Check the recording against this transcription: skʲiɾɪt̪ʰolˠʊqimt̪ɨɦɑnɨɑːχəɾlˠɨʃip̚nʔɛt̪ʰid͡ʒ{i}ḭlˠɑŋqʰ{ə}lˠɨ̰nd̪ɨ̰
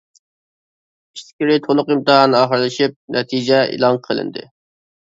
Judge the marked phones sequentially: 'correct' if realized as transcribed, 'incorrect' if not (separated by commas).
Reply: incorrect, correct